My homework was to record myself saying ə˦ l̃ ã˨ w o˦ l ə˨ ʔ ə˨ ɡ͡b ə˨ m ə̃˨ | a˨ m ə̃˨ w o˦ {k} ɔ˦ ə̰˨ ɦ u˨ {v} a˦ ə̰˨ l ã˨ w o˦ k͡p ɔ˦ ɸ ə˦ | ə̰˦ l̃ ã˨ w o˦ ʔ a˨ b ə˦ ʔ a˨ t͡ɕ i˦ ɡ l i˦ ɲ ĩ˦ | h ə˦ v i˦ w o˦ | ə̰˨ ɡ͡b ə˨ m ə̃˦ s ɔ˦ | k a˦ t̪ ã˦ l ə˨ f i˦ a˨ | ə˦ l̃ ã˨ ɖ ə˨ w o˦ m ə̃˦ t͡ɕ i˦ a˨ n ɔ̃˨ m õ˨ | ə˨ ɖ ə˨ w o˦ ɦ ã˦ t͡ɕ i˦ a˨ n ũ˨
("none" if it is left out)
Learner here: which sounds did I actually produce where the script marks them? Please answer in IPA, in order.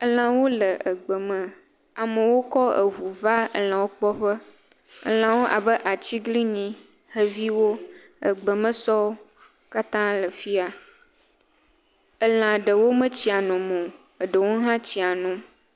k, v

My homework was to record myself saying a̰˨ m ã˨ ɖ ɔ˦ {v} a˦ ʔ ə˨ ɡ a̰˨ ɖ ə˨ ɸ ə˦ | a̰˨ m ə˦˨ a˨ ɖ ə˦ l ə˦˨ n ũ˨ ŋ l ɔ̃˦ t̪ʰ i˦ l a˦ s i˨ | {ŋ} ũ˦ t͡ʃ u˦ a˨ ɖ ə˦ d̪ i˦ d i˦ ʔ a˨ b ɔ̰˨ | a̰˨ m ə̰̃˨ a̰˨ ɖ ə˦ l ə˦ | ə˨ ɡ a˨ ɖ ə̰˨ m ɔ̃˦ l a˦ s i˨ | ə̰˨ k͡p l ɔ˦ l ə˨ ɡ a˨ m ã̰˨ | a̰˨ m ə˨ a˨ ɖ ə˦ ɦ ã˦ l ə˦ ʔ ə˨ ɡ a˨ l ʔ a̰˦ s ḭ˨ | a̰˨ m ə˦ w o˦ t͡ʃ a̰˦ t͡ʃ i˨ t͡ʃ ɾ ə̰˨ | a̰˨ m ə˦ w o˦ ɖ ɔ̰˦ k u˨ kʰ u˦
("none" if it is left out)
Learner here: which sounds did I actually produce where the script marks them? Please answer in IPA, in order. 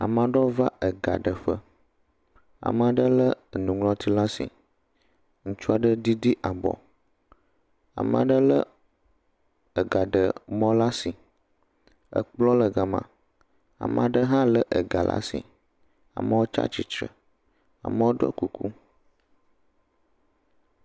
v, ŋ

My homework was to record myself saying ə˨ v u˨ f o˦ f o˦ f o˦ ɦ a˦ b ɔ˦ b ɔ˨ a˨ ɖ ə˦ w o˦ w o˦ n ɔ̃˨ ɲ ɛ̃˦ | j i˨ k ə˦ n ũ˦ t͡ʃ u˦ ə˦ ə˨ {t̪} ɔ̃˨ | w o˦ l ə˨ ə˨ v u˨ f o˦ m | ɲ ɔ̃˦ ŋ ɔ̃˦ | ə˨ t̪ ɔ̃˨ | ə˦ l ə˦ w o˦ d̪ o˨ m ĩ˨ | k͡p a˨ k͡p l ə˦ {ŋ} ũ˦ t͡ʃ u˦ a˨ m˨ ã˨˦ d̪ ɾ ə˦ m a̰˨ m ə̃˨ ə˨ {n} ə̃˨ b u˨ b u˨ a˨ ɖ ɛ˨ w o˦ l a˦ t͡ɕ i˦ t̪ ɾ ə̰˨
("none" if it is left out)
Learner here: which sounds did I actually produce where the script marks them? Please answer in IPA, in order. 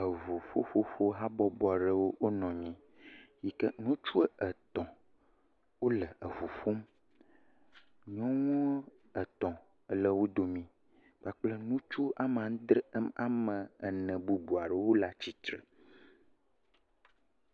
t̪, n, n

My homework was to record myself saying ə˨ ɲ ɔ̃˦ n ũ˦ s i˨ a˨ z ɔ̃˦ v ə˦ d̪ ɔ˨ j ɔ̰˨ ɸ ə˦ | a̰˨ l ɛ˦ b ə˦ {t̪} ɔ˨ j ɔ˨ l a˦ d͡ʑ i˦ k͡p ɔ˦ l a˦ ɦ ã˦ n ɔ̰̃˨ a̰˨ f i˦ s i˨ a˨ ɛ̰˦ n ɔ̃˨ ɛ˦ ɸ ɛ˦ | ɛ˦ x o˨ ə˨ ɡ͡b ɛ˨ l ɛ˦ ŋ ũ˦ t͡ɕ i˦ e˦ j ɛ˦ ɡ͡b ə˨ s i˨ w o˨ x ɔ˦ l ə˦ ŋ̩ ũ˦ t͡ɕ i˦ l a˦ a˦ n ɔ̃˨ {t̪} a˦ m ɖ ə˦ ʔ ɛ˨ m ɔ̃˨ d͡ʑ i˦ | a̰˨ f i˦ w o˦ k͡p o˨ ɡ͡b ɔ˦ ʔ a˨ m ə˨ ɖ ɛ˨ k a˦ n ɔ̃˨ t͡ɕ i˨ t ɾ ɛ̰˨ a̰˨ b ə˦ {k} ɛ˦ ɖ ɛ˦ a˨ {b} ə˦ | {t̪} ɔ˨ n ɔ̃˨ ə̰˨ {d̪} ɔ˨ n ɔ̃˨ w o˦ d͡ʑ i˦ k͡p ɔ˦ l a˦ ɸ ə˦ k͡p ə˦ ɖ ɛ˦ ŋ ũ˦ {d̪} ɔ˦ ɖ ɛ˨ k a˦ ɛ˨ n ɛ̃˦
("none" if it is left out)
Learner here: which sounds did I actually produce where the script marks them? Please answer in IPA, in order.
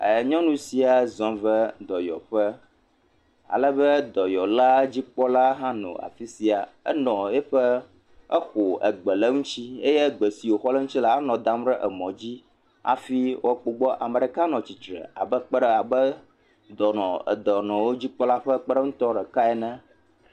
d̪, d̪, k͡p, b, d̪, d̪, t̪

